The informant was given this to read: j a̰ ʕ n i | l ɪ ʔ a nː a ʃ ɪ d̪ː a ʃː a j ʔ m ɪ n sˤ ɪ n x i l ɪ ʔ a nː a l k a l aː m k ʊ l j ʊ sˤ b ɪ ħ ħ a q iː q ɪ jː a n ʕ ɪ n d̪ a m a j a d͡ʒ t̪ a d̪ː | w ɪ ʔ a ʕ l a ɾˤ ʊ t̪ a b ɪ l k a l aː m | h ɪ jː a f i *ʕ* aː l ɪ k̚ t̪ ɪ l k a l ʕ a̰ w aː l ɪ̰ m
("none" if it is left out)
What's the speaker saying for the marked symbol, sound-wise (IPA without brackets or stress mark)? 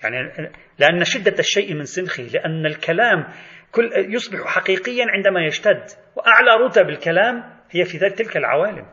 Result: ð